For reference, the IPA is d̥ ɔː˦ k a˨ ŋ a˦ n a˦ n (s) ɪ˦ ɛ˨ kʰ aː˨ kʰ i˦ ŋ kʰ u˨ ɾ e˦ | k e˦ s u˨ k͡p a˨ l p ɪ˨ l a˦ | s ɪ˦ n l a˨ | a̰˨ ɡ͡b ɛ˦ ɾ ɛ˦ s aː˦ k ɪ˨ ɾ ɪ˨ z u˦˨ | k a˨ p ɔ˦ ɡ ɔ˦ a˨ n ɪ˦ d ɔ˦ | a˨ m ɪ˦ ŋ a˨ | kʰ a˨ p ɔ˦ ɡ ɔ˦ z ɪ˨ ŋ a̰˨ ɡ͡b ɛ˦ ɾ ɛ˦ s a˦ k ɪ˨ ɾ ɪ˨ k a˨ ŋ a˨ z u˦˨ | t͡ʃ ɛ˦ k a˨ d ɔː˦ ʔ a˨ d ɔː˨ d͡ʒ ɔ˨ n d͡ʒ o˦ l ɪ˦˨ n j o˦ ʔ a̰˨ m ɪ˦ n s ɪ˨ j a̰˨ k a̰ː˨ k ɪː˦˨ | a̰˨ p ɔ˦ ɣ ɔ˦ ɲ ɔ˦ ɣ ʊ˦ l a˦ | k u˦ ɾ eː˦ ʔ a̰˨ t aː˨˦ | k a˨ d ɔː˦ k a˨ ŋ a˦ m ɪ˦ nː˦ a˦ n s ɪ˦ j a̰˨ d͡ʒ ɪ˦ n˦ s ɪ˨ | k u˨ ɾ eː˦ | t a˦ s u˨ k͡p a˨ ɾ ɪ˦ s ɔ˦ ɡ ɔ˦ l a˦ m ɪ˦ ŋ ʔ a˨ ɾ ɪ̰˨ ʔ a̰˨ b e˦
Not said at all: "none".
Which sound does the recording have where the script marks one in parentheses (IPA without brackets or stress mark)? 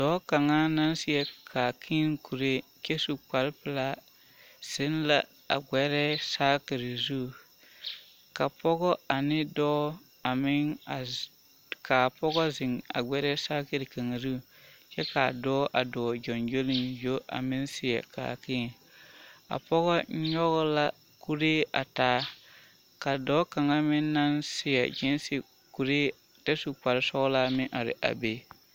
s